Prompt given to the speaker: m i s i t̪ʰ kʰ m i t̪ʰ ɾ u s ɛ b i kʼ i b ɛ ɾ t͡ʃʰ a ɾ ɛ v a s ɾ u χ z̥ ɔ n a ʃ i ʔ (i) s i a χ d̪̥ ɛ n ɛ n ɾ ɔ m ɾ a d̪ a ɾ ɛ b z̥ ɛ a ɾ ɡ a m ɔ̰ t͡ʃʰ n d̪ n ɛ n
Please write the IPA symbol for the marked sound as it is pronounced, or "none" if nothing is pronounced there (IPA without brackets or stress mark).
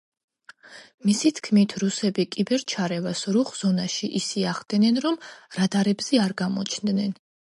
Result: i